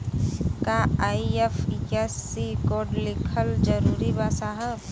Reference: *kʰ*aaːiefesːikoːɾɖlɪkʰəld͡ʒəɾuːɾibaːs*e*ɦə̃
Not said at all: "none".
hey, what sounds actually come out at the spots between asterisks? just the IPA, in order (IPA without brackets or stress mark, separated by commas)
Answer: k, a